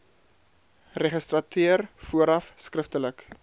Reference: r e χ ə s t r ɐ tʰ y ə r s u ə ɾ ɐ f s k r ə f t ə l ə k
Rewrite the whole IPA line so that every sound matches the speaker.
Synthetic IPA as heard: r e χ ə s t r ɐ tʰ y ə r f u ə ɾ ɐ f s k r ə f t ə l ə k

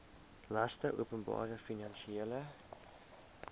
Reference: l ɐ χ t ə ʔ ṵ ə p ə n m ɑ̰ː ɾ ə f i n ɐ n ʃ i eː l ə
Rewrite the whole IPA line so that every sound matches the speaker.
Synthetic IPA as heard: l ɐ s t ə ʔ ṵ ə p ə n b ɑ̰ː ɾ ə f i n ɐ n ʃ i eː l ə

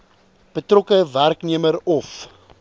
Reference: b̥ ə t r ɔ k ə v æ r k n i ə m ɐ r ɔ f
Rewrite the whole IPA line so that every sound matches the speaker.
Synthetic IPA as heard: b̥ ə t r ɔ k ə v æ r k n i ə m ə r ɔ f

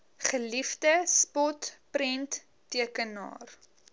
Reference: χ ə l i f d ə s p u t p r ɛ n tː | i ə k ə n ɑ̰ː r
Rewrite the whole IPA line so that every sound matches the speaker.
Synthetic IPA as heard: χ ə l i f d ə s p ɔ t p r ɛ n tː | i ə k ə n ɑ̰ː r

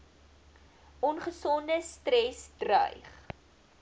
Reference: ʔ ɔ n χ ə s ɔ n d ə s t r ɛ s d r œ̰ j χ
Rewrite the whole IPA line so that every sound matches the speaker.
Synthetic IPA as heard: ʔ ɔ n χ ə s ɔ n d ə s t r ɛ s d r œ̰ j χ

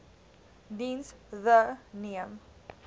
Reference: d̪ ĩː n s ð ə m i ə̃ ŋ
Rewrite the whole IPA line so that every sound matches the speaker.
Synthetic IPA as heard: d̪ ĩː n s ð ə n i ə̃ m

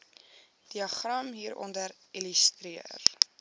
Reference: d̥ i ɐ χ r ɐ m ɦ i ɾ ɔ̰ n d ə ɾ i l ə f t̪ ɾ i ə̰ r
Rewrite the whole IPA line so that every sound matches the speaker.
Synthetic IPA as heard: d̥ i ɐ χ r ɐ m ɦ iː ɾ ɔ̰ n d ə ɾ i l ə s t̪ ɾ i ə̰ r

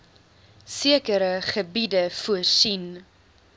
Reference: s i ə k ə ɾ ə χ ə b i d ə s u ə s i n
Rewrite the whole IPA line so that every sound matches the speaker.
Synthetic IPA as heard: s i ə k ə ɾ ə χ ə b i d ə f u ə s i n

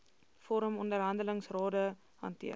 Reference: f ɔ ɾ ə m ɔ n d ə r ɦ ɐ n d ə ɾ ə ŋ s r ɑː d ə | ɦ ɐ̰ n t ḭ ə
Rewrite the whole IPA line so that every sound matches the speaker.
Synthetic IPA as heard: f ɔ ɾ ə m ɔ n d ə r ɦ ɐ n d ə l ə ŋ s r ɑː d ə | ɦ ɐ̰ n t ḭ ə

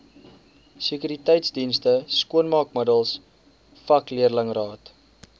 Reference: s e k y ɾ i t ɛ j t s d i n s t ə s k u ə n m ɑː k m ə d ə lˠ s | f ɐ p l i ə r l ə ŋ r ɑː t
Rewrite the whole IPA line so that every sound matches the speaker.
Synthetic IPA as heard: s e k y ɾ i t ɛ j t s d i n s t ə s k u ə n m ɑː k m ə d ə lˠ s | f ɐ k l i ə r l ə ŋ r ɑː t

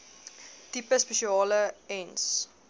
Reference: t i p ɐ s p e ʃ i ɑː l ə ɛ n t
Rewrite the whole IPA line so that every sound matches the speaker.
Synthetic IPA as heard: t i p ə s p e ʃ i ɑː l ə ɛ n s

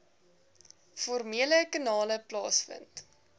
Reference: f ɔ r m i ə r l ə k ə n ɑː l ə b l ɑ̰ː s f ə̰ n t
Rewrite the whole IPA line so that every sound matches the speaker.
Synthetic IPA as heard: f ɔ r m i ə l ə k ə n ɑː l ə p l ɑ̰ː s f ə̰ n t

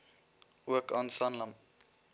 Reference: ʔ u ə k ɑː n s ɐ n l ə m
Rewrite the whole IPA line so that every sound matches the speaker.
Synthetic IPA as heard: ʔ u ə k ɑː n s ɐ n l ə m

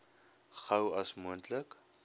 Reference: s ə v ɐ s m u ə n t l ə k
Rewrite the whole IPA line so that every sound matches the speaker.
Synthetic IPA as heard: χ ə w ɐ s m u ə n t l ə k

